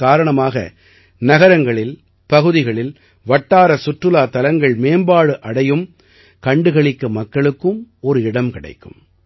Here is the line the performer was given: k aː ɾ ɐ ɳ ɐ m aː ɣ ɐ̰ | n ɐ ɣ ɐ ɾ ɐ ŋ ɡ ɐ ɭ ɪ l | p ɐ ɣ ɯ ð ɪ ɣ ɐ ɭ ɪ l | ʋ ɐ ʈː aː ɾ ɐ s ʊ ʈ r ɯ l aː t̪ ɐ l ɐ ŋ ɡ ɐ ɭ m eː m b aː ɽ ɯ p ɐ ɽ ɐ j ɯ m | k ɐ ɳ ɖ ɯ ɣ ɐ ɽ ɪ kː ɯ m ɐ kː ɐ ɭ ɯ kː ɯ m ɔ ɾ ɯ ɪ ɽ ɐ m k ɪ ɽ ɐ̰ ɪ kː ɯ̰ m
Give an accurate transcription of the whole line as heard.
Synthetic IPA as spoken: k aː ɾ ɐ ɳ ɐ m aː ɣ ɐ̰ | n ɐ ɣ ɐ ɾ ɐ ŋ ɡ ɐ ɭ ɪ l | p ɐ ɣ ɯ ð ɪ ɣ ɐ ɭ ɪ l | ʋ ɐ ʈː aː ɾ ɐ s ʊ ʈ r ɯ l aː t̪ ɐ l ɐ ŋ ɡ ɐ ɭ m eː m b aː ɽ ɯ ʔ ɐ ɽ ɐ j ɯ m | k ɐ ɳ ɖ ɯ ɣ ɐ ɭ ɪ kː ɯ m ɐ kː ɐ ɭ ɯ kː ɯ m ɔ ɾ ɯ ɪ ɽ ɐ m k ɪ ɽ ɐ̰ ɪ kː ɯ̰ m